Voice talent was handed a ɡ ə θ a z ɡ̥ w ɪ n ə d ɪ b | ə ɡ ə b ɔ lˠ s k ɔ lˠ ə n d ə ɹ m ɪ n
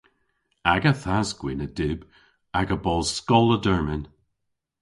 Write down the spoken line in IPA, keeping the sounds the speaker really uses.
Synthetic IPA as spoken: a ɡ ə θ a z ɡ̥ w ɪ n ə d ɪ b | a ɡ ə b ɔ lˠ s k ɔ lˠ ə d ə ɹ m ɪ n